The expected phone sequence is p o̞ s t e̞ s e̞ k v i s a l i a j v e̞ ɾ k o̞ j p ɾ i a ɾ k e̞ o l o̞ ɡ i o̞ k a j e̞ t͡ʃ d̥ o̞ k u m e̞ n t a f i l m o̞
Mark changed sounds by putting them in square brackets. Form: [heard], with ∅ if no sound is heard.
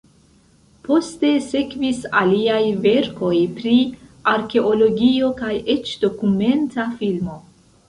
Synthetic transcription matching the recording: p o̞ s t e̞ s e̞ k v i s a l i a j v e̞ ɾ k o̞ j p ɾ i a ɾ k e̞ o l o̞ ɡ i o̞ k a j e̞ t͡ʃ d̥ o̞ k u m e̞ n t a f i l m o̞